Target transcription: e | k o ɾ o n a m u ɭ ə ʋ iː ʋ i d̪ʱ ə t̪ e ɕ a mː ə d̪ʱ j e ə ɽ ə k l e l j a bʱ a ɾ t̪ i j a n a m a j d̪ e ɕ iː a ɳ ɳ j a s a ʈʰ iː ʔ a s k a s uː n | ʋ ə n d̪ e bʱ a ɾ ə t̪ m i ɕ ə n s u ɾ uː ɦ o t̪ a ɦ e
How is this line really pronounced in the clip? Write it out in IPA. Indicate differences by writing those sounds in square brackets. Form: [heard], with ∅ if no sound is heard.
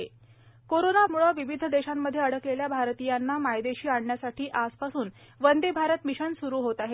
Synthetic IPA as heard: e | k o ɾ o n a m u ɭ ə ʋ [i] ʋ i d̪ʱ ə [d̪] e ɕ a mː ə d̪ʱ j e ə ɽ ə k l e l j a bʱ a ɾ t̪ i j a [nː] a m a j d̪ e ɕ iː a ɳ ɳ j a s a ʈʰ iː ʔ a s [p] a s uː n | ʋ ə n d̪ e bʱ a ɾ ə t̪ m i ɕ ə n s u ɾ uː ɦ o t̪ a ɦ e